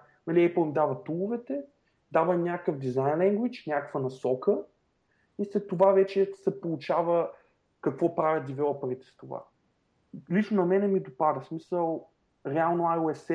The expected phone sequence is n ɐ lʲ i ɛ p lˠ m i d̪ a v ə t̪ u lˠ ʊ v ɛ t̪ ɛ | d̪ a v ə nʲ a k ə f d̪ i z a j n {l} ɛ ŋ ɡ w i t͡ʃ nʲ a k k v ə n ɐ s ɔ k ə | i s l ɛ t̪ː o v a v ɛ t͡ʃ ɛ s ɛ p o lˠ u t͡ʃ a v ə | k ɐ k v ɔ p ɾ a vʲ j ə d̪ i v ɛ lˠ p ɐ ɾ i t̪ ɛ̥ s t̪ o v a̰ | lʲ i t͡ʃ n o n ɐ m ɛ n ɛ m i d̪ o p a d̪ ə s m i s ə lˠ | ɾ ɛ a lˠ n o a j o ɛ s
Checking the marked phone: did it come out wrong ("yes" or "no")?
no